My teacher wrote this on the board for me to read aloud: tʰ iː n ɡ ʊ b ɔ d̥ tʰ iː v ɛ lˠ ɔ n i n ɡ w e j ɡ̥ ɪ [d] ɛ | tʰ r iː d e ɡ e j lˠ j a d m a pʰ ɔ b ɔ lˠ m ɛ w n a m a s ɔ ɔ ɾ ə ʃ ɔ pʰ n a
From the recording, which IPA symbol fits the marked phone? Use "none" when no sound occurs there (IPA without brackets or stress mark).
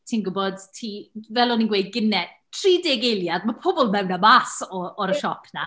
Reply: n